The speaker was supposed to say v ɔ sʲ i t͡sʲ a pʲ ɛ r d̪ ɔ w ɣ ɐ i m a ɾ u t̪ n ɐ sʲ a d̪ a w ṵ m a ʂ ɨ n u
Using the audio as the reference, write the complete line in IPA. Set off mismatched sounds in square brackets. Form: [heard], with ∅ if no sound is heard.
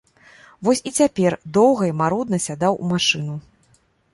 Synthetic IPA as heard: v ɔ sʲ i t͡sʲ a pʲ ɛ r d̪ ɔ w ɣ ɐ i m a ɾ u [d̪] n ɐ sʲ a d̪ a w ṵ m a ʂ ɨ n u